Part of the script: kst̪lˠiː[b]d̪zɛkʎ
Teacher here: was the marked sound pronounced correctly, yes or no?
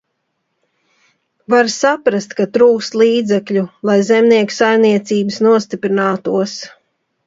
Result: no